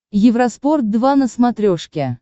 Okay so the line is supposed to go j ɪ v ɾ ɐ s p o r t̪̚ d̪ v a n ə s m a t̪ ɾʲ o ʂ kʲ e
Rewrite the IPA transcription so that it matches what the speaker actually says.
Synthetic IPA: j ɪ v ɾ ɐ s p o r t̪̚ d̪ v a n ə s m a t̪ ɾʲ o ʂ kʲ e

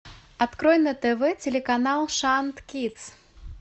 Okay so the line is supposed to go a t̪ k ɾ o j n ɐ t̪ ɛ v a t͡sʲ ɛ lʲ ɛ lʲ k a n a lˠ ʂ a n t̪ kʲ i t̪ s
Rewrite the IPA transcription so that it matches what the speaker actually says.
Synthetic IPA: a t̪ k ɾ ɔ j n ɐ t̪ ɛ v ɛ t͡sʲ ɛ lʲ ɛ k a n a lˠ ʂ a n t̪ kʲ i t̪ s

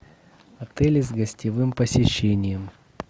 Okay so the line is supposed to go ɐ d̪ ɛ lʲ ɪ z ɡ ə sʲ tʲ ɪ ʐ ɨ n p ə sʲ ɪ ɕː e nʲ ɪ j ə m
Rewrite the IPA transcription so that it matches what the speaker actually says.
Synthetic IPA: ɐ t̪ ɛ lʲ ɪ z ɡ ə sʲ tʲ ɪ v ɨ m p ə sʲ ɪ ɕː e nʲ ɪ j ə m

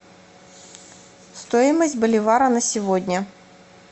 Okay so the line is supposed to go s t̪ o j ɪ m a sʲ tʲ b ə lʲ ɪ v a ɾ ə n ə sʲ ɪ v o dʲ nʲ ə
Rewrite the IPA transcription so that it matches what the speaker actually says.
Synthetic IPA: s t̪ o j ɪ m ə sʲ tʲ b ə lʲ ɪ v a ɾ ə n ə sʲ ɪ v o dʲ nʲ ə

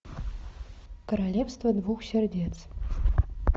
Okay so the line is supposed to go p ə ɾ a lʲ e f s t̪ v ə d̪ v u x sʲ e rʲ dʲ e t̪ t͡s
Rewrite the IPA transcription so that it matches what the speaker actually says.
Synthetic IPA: k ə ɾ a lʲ e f s t̪ v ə d̪ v u x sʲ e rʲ dʲ e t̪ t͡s

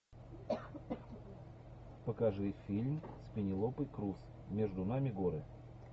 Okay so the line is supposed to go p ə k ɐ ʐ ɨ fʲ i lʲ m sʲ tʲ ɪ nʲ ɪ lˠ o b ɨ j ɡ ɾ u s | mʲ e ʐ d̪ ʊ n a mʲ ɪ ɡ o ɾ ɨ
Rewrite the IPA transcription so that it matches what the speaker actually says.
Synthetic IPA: p ə k ɐ ʐ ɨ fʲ i lʲ m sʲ pʲ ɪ nʲ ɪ lˠ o p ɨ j k ɾ u s | mʲ e ʐ d̪ ʊ n a mʲ ɪ ɡ o ɾ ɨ

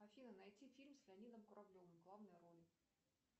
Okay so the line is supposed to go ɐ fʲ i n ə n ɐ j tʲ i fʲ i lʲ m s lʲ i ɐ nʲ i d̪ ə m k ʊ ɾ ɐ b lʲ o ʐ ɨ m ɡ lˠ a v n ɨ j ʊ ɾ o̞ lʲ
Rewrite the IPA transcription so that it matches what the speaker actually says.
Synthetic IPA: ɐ fʲ i n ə n ɐ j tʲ i fʲ i lʲ m s lʲ ɪ ɐ nʲ i d̪ ə m k ʊ ɾ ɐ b lʲ o v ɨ m ɡ lˠ a v n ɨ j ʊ ɾ o̞ lʲ

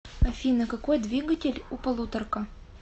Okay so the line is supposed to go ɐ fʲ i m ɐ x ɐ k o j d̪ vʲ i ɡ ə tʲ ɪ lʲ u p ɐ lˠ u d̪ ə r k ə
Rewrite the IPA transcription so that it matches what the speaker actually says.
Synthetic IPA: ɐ fʲ i n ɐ k ɐ k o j d̪ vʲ i ɡ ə tʲ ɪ lʲ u p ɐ lˠ u t̪ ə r k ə

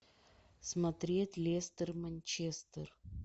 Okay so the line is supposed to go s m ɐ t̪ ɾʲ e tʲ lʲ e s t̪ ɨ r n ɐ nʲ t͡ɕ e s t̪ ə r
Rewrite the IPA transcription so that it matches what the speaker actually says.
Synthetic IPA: s m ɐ t̪ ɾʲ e tʲ lʲ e s t̪ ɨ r m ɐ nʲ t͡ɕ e s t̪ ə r

